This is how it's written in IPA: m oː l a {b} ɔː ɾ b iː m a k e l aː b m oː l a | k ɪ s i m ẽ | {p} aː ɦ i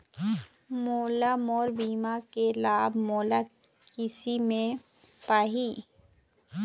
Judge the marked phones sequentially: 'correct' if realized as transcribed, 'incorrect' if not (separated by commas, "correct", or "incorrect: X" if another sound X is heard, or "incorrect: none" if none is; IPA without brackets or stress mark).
incorrect: m, correct